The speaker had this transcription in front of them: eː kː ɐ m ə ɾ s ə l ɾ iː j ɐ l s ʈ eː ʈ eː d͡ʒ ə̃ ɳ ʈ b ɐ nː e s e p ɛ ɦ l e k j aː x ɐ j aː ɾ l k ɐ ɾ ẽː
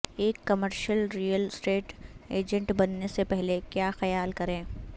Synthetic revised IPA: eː kː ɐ m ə ɾ ʃ ə l ɾ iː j ə l s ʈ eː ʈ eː d͡ʒ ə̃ ɳ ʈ b ɐ nː e s e p ɛ ɦ l e k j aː x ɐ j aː l k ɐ ɾ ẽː